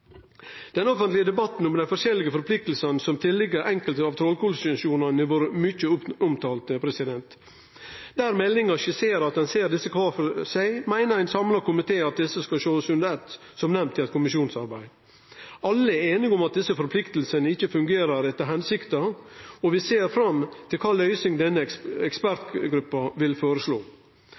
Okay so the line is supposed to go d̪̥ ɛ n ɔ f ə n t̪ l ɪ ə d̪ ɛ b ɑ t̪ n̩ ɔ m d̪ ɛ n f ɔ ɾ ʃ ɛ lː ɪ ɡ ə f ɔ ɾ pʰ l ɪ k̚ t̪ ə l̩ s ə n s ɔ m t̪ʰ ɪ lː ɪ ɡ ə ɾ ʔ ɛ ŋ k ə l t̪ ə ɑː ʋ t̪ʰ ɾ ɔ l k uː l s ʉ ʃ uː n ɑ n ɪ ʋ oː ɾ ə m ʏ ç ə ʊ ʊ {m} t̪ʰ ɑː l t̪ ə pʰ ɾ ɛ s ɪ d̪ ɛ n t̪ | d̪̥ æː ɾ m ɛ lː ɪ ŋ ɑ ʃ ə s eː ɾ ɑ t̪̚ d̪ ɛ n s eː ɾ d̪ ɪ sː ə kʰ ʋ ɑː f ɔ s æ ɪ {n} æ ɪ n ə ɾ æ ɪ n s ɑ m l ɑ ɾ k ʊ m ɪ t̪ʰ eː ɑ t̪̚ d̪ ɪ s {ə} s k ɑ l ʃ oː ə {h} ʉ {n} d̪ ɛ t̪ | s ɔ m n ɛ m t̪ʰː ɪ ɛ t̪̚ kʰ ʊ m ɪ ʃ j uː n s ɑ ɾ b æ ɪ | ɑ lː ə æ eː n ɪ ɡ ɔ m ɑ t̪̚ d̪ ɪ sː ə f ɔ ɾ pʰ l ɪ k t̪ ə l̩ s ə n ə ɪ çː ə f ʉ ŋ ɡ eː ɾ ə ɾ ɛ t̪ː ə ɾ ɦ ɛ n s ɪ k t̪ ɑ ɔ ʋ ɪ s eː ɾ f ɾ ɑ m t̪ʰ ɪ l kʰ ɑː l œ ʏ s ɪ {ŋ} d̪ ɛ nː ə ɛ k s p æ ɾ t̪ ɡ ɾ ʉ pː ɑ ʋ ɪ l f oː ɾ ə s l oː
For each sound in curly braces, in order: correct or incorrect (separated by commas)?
correct, incorrect, correct, incorrect, correct, correct